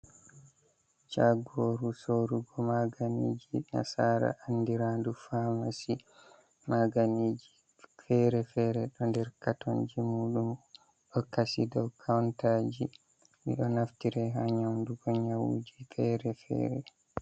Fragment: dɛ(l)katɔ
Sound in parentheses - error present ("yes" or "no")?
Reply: yes